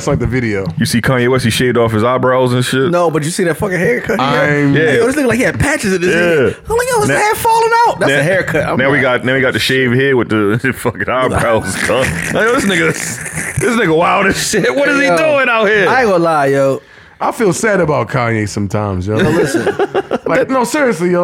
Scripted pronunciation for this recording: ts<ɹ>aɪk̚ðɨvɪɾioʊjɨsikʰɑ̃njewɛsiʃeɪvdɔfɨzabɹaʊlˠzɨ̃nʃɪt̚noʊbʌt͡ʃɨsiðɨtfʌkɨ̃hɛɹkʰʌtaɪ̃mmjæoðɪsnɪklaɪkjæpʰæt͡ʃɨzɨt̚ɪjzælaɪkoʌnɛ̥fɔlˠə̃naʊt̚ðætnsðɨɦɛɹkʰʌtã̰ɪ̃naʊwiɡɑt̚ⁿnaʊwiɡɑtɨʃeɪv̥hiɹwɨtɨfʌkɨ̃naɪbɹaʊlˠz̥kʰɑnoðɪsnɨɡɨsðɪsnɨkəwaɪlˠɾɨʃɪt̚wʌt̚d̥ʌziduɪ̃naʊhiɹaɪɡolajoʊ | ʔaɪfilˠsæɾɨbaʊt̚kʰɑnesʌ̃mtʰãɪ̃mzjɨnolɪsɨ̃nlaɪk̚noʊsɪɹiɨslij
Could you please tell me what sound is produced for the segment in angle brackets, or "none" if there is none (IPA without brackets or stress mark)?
l